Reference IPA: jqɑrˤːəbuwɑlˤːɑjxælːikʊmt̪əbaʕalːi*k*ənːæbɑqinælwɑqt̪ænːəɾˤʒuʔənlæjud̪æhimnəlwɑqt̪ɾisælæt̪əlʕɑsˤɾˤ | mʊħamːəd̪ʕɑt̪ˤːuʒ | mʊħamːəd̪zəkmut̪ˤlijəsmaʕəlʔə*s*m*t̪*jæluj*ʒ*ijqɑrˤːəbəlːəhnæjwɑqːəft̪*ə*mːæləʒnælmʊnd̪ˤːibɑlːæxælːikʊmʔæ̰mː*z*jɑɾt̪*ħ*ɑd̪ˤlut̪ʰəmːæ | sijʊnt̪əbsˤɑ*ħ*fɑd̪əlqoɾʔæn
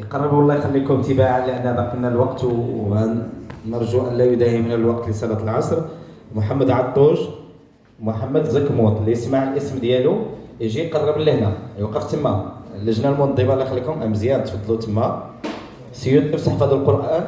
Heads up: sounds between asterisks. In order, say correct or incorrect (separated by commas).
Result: incorrect, correct, incorrect, correct, correct, correct, incorrect, correct